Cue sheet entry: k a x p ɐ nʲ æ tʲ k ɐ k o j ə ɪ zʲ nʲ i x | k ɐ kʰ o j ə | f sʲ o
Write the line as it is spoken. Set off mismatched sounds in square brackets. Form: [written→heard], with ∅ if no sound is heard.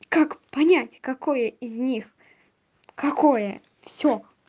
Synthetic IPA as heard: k a [x→k] p ɐ nʲ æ tʲ k ɐ k o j ə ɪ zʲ nʲ i x | k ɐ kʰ o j ə | f sʲ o